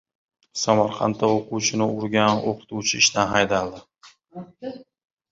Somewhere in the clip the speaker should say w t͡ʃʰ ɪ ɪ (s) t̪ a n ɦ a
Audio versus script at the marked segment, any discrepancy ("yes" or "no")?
yes